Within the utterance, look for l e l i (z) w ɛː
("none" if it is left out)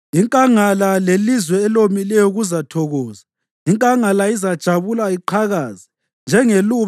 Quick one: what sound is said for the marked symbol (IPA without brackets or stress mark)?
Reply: z